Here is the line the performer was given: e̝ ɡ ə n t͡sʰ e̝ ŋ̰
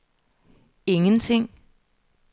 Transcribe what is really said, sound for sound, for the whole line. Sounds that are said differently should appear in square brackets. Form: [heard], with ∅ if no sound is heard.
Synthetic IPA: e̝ [ŋ] ə n t͡sʰ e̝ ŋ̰